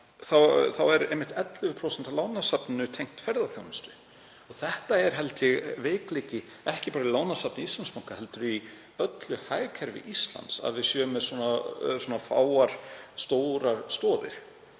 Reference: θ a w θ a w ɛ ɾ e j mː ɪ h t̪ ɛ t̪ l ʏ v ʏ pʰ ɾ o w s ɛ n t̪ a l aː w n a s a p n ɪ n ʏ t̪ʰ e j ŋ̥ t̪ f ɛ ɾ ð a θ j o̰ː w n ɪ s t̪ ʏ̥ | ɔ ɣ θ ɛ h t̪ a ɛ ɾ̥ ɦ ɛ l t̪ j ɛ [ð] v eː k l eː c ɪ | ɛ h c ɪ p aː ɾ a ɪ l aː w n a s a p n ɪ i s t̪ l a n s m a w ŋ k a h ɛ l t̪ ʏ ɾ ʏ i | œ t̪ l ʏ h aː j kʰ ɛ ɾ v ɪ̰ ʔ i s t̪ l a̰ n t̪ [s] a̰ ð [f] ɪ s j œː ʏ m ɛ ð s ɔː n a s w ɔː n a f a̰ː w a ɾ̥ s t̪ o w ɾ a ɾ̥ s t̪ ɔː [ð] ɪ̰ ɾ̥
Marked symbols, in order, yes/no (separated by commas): no, yes, no, yes